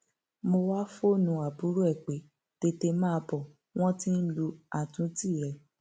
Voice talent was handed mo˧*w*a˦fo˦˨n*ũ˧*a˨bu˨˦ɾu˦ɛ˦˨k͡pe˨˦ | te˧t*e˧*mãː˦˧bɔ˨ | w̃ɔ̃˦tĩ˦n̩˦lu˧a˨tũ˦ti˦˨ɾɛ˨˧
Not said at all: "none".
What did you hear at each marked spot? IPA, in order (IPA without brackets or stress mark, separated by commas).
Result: w, ũ˧, e˧